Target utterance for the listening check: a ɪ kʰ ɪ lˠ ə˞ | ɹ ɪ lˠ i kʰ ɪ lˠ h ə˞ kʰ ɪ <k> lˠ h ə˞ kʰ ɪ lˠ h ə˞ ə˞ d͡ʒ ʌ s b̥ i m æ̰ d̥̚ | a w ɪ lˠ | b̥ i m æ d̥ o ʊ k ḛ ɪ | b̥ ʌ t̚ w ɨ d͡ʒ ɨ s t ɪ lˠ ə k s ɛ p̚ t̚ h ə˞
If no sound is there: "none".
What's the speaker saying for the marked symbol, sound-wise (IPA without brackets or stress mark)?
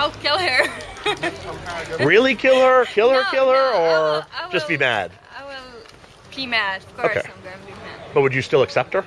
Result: none